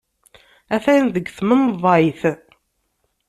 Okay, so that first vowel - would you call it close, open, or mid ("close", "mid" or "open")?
open